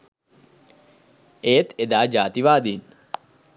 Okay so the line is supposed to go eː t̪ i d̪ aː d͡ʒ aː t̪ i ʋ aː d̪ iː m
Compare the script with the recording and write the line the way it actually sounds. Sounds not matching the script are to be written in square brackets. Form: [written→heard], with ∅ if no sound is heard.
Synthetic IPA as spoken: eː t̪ [i→e] d̪ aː d͡ʒ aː t̪ i ʋ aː d̪ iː [m→n]